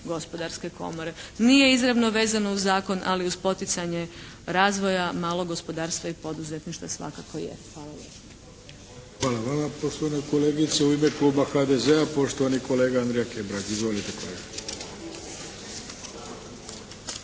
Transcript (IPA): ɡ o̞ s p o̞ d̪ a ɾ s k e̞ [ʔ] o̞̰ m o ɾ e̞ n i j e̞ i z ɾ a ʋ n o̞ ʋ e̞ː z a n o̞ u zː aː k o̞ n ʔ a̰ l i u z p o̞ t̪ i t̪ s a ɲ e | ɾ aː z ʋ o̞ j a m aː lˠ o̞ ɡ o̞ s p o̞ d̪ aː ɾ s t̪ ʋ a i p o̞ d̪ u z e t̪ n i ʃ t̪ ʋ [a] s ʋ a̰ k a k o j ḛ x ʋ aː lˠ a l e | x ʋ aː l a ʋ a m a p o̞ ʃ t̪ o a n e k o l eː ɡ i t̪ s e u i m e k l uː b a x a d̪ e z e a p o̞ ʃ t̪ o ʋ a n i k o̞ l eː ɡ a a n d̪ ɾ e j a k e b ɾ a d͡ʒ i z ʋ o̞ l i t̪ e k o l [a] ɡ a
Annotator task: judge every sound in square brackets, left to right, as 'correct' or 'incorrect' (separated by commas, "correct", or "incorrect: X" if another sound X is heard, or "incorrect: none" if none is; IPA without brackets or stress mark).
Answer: incorrect: k, correct, incorrect: e